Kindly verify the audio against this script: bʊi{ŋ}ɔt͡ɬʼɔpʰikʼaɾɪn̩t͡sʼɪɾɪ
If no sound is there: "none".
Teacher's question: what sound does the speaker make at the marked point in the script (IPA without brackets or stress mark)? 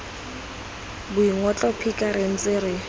ŋ